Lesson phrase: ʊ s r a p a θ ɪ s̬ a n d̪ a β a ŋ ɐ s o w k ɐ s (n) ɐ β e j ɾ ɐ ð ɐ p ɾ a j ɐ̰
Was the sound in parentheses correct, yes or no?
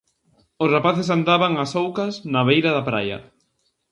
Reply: yes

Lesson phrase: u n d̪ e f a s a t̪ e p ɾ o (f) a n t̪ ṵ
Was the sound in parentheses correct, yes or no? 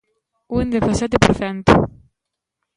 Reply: yes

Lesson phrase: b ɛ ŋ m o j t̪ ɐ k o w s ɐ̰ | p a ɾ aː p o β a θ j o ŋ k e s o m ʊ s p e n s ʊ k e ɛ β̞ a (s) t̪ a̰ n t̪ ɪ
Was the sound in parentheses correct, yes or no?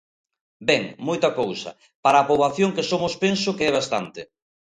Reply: yes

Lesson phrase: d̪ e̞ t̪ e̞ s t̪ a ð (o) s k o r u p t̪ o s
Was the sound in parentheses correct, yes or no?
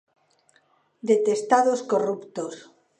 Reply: yes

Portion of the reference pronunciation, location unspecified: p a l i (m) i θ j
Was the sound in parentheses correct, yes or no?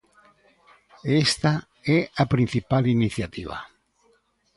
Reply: no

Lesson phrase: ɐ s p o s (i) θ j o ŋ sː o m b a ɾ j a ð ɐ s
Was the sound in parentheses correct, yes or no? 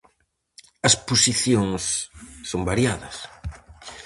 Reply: yes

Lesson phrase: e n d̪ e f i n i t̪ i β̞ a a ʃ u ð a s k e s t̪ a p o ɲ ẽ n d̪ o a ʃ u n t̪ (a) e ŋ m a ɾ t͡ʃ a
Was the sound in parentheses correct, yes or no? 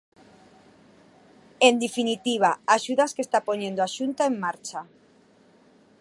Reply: yes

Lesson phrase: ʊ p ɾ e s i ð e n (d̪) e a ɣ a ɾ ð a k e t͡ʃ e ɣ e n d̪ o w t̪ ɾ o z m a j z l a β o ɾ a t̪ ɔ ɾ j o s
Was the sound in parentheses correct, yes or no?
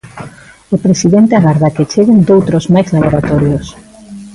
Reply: no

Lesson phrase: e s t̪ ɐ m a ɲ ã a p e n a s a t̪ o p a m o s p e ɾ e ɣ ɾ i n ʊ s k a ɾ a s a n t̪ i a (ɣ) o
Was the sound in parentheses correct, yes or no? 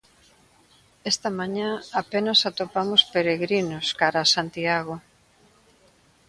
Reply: yes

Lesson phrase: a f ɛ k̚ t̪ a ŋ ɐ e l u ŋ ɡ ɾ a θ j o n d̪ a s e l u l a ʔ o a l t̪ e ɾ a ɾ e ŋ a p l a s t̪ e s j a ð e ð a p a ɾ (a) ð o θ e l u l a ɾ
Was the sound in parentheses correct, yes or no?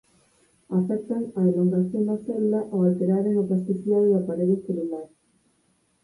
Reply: no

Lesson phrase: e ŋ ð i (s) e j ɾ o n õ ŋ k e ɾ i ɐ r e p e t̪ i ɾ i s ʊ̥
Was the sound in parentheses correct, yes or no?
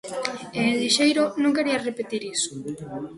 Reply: no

